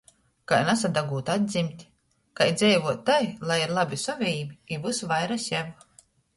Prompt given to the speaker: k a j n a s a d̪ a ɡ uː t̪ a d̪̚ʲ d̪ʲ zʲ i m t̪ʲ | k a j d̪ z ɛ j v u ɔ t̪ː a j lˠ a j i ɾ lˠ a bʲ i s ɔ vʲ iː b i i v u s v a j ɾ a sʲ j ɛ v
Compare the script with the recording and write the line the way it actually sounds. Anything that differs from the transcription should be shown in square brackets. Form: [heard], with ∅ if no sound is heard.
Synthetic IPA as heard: k a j n a s a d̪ a ɡ uː t̪ a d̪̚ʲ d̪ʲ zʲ i m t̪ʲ | k a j d̪ z ɛ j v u ɔ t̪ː a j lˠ a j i ɾ lˠ a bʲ i s ɔ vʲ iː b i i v u s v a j ɾ a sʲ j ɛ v